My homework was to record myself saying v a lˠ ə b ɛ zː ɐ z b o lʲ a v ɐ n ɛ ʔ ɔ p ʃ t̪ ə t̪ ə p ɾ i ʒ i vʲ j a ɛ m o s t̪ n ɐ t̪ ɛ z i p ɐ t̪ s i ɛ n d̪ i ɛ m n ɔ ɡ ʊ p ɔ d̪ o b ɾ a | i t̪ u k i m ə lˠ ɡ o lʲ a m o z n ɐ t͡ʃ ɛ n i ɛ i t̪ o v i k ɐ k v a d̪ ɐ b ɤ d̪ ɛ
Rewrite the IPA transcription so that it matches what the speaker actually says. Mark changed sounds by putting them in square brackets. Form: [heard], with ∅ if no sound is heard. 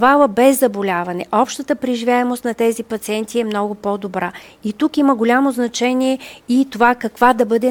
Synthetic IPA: v a lˠ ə b ɛ zː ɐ [∅] b o lʲ a v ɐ n ɛ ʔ ɔ p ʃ t̪ ə t̪ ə p ɾ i ʒ i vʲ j a ɛ m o s t̪ n ɐ t̪ ɛ z i p ɐ t̪ s i ɛ n [t̪] i ɛ m n ɔ ɡ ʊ p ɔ d̪ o b ɾ a | i t̪ u k i m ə [∅] ɡ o lʲ a m o z n ɐ t͡ʃ ɛ n i ɛ i t̪ o v [a] k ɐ k v a d̪ ɐ b ɤ d̪ ɛ